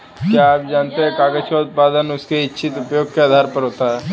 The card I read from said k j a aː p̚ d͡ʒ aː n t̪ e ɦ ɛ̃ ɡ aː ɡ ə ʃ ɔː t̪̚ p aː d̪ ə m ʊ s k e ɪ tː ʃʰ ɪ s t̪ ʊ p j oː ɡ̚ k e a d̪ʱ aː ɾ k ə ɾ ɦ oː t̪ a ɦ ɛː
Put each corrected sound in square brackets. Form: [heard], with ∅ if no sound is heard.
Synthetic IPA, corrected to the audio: k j a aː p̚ d͡ʒ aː n t̪ e ɦ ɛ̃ [k] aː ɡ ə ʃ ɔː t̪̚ p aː d̪ ə [n] ʊ s k e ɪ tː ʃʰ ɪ [∅] t̪ ʊ p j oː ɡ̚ k e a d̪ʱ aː ɾ [p] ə ɾ ɦ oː t̪ a ɦ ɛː

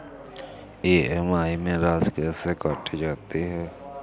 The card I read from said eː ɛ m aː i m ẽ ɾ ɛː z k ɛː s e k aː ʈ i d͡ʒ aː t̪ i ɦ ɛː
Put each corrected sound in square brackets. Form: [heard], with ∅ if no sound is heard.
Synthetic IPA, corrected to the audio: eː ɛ m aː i m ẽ ɾ [aː] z k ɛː s e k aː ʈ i d͡ʒ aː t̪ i ɦ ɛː

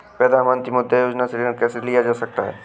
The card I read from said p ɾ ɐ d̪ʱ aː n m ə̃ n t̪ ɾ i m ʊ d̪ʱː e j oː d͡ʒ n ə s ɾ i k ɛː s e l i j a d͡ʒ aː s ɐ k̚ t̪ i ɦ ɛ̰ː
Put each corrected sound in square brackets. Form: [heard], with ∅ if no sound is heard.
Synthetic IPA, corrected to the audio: p ɾ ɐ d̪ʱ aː n m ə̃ n t̪ ɾ i m ʊ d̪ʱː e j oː d͡ʒ n [a] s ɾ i k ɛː s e l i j a d͡ʒ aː s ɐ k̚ t̪ [a] ɦ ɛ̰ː

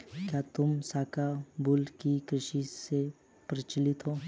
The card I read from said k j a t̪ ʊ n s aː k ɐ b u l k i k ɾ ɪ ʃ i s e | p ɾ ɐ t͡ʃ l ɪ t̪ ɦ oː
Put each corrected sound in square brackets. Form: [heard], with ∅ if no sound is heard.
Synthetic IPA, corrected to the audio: k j a t̪ ʊ [m] s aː k [a] b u l k i k ɾ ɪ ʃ i s e | p ɾ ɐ t͡ʃ l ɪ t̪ ɦ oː

